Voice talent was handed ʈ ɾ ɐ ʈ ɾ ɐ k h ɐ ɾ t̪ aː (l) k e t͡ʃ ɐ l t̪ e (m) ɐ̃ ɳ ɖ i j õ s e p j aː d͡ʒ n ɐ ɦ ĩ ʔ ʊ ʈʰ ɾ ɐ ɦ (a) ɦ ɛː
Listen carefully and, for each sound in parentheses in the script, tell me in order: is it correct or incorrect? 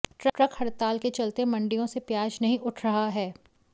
correct, correct, correct

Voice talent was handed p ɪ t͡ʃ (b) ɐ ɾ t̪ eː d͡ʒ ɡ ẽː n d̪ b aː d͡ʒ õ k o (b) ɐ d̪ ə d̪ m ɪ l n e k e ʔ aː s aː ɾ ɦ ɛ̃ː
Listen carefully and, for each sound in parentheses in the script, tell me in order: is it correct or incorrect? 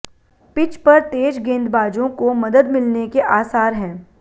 incorrect, incorrect

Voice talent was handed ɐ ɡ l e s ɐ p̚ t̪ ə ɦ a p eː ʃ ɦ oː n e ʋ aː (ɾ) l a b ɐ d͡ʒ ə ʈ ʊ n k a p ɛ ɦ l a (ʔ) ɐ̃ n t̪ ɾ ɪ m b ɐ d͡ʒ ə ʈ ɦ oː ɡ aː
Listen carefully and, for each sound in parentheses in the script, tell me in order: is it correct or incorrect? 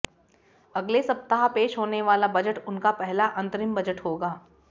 incorrect, correct

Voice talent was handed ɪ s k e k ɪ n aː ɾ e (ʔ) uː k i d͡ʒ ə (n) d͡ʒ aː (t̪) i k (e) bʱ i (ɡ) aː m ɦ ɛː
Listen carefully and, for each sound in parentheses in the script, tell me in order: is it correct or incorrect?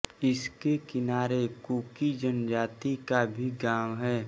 incorrect, correct, correct, incorrect, correct

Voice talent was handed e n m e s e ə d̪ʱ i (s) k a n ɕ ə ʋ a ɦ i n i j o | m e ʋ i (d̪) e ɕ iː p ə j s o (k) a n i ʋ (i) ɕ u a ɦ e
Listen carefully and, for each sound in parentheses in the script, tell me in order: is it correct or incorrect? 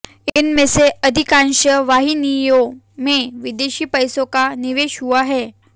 incorrect, correct, correct, incorrect

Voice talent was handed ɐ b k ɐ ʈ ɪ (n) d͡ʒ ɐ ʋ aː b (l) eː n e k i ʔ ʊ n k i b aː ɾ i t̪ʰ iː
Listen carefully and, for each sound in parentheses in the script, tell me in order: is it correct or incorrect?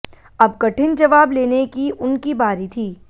correct, correct

